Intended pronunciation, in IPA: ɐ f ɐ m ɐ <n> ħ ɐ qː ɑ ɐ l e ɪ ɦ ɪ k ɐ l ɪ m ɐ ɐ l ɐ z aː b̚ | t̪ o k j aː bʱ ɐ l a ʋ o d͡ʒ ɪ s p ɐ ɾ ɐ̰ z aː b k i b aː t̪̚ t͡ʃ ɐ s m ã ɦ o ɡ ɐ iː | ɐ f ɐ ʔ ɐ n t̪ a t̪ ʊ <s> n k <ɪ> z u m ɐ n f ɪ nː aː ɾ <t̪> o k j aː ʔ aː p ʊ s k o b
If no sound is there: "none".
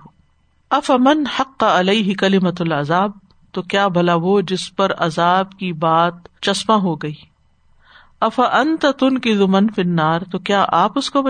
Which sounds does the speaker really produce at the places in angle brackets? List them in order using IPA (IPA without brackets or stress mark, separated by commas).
n, none, ɪ, t̪